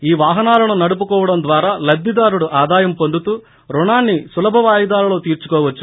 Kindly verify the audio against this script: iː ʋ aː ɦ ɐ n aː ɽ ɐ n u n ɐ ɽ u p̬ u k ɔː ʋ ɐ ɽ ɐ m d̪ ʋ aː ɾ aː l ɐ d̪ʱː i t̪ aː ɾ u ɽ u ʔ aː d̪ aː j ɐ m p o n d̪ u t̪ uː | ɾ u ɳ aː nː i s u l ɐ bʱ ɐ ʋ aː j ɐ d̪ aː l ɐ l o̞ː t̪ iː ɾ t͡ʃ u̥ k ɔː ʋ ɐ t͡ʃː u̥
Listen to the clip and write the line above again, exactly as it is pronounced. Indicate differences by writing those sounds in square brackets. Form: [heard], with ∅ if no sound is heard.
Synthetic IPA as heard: iː ʋ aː ɦ ɐ n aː [l] ɐ n u n ɐ ɽ u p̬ u k ɔː ʋ ɐ ɽ ɐ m d̪ ʋ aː ɾ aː l ɐ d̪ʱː i [d̪] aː ɾ u ɽ u ʔ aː d̪ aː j ɐ m p o n d̪ u t̪ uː | ɾ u ɳ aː nː i s u l ɐ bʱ ɐ ʋ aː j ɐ d̪ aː l ɐ l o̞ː t̪ iː ɾ t͡ʃ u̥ k ɔː ʋ ɐ t͡ʃː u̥